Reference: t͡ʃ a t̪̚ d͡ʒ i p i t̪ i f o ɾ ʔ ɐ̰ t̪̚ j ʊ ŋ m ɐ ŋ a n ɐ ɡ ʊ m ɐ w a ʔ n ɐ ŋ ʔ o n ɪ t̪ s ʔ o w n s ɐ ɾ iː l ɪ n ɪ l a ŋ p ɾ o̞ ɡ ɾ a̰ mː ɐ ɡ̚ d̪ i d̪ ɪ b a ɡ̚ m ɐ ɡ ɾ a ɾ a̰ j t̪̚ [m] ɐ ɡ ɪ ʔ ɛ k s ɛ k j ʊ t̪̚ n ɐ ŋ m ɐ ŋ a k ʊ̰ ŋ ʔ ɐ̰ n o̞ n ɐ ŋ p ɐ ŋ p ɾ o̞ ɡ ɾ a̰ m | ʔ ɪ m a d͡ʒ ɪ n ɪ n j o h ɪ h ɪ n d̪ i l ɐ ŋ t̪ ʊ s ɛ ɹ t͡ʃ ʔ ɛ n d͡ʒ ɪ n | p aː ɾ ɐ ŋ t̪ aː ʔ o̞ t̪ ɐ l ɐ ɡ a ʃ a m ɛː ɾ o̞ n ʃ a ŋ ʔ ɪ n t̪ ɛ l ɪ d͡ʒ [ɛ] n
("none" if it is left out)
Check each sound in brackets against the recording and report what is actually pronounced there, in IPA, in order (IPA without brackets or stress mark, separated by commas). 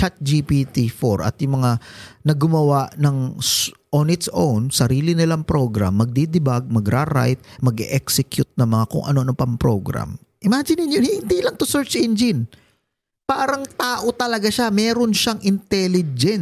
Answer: m, ɛ